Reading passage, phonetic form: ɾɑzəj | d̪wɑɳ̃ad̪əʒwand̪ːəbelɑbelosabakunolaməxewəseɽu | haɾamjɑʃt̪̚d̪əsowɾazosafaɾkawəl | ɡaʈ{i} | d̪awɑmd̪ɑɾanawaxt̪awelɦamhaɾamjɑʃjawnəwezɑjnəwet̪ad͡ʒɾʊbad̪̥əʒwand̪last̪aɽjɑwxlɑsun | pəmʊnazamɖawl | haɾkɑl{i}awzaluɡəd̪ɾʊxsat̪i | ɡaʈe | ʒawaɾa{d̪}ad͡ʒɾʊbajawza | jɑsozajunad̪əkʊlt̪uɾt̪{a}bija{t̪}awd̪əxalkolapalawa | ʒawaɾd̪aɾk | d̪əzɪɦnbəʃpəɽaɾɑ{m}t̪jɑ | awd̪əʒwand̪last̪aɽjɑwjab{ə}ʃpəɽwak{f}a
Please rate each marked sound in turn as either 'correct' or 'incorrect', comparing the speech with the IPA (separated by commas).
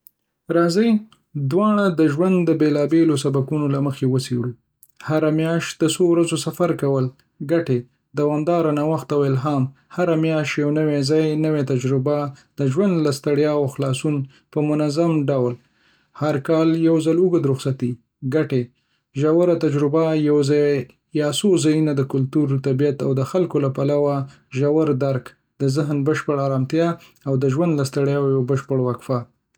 incorrect, incorrect, incorrect, correct, correct, correct, correct, correct